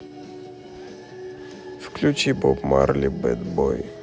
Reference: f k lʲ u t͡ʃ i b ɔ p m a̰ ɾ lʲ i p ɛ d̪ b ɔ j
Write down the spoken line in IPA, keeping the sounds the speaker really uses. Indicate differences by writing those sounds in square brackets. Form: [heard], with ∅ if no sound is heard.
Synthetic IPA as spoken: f k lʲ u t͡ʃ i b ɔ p m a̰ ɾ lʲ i [b] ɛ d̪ b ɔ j